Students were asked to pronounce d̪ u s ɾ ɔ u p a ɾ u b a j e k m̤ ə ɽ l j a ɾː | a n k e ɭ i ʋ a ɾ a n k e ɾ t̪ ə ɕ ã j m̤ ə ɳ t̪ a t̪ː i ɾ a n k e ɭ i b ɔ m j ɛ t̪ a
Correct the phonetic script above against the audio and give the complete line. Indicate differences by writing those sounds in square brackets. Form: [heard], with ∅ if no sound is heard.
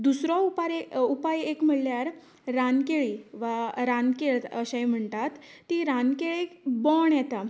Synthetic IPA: d̪ u s ɾ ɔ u p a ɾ u [p] a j e k m̤ ə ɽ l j a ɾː | a n k e ɭ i ʋ a ɾ a n k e [ɭ] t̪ ə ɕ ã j m̤ ə ɳ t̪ a t̪ː i ɾ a n k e ɭ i b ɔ [ɳ] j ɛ t̪ a